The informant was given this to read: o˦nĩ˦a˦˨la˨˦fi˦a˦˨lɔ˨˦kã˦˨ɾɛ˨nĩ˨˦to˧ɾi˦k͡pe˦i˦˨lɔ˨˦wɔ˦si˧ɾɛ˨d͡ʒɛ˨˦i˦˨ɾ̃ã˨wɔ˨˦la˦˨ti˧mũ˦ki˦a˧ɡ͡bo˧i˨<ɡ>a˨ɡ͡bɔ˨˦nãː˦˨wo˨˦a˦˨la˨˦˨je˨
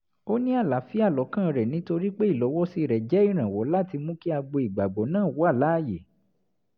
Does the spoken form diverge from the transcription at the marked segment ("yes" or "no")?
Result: yes